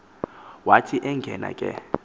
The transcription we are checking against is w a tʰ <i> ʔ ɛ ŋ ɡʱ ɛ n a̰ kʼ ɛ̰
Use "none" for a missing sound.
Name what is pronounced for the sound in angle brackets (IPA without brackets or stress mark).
i